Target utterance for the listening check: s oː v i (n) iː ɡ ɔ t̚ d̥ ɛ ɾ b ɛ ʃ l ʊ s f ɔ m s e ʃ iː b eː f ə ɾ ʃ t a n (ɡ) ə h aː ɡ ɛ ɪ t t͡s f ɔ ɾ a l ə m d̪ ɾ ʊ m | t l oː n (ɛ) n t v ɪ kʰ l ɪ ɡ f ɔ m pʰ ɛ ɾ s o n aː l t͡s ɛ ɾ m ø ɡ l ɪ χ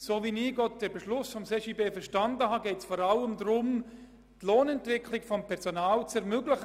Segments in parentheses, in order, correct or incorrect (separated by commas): correct, incorrect, correct